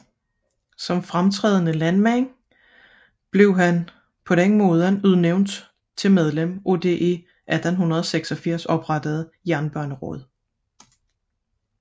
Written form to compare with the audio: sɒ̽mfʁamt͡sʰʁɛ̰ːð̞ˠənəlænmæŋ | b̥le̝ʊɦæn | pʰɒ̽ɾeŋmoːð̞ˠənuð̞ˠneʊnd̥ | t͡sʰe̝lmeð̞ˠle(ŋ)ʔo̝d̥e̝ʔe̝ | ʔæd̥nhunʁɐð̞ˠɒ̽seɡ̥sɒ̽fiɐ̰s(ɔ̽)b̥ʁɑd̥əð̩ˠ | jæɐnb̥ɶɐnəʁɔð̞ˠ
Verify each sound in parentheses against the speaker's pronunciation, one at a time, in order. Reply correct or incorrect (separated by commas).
incorrect, incorrect